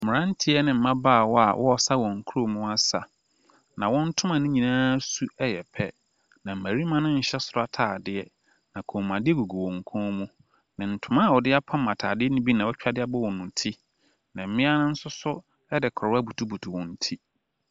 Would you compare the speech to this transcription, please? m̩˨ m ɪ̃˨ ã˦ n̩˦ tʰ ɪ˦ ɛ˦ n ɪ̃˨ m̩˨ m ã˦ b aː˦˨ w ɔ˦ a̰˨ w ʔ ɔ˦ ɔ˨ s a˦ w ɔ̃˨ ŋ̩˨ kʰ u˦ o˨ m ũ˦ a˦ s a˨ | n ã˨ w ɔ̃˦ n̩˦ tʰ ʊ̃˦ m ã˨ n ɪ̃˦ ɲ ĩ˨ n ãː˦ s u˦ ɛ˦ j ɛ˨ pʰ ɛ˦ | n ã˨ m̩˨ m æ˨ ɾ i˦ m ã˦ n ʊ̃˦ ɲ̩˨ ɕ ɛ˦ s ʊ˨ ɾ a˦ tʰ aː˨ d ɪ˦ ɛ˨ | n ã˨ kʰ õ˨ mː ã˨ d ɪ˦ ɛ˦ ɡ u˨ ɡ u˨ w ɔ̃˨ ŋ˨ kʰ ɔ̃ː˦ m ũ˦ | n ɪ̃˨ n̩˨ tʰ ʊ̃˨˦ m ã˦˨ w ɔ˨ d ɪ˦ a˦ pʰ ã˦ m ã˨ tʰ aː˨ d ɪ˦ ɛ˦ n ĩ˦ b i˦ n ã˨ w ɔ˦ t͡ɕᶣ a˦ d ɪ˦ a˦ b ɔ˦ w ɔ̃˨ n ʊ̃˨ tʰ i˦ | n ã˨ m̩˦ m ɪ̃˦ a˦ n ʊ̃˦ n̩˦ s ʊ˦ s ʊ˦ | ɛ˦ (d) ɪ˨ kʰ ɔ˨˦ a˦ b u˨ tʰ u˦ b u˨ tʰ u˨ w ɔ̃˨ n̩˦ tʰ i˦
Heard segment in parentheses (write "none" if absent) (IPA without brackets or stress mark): d